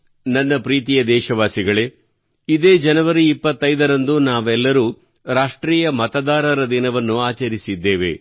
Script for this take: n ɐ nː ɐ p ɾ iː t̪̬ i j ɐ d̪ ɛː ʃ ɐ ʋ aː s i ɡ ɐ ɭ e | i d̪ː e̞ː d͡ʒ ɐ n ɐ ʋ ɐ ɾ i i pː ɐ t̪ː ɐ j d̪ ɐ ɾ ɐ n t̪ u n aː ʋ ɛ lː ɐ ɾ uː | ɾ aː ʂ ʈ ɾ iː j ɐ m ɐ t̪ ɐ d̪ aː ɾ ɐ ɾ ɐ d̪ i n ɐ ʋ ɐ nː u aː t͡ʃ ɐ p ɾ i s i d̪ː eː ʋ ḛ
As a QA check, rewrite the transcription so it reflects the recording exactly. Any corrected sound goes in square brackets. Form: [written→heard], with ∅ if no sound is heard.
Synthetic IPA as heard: n ɐ nː ɐ p ɾ iː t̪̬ i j ɐ d̪ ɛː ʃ ɐ ʋ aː s i ɡ ɐ ɭ e | i [d̪ː→d̪] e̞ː d͡ʒ ɐ n ɐ ʋ ɐ ɾ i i pː ɐ t̪ː ɐ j d̪ ɐ ɾ ɐ n [t̪→d̪] u n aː ʋ ɛ lː ɐ ɾ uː | ɾ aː ʂ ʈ ɾ iː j ɐ m ɐ t̪ ɐ d̪ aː ɾ ɐ ɾ ɐ d̪ i n ɐ ʋ ɐ nː u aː t͡ʃ ɐ [p→∅] ɾ i s i d̪ː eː ʋ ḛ

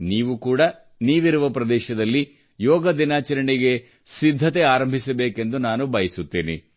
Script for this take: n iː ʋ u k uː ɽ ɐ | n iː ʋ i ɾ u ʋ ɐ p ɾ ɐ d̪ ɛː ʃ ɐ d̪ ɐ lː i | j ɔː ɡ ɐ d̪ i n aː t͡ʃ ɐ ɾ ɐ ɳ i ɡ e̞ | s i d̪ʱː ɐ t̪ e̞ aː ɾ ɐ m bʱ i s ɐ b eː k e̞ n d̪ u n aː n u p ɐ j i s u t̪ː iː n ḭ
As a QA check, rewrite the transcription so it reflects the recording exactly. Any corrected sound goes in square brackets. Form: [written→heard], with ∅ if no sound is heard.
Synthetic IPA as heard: n iː ʋ u k uː ɽ ɐ | n iː ʋ i ɾ u ʋ ɐ p ɾ ɐ d̪ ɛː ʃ ɐ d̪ ɐ lː i | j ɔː ɡ ɐ d̪ i n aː t͡ʃ ɐ ɾ ɐ ɳ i ɡ e̞ | s i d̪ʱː ɐ t̪ e̞ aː ɾ ɐ m bʱ i s ɐ b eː k e̞ n d̪ u n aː n u [p→b] ɐ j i s u t̪ː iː n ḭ

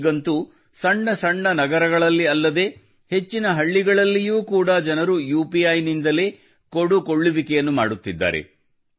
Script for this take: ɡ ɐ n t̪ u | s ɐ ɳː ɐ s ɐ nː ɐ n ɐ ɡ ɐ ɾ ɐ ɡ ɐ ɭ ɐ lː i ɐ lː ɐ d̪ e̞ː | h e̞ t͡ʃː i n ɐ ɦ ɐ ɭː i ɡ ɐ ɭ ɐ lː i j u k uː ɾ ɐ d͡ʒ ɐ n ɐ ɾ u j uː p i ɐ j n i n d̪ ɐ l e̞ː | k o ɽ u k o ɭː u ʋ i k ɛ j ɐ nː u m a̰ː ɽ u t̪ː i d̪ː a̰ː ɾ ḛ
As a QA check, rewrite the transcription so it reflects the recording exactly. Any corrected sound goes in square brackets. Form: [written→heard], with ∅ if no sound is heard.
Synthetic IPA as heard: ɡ ɐ n t̪ u | s ɐ ɳː ɐ s ɐ [nː→ɳː] ɐ n ɐ ɡ ɐ ɾ ɐ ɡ ɐ ɭ ɐ lː i ɐ lː ɐ d̪ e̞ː | h e̞ t͡ʃː i n ɐ ɦ ɐ ɭː i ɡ ɐ ɭ ɐ lː i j [u→uː] k uː [ɾ→ɽ] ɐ d͡ʒ ɐ n ɐ ɾ u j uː p i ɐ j n i n d̪ ɐ l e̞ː | k o ɽ u k o ɭː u ʋ i k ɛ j ɐ nː u m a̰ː ɽ u t̪ː i d̪ː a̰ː ɾ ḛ

